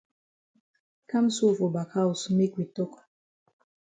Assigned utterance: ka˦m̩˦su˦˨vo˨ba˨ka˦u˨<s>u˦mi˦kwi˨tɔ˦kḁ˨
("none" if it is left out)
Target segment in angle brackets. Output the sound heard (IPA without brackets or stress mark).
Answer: s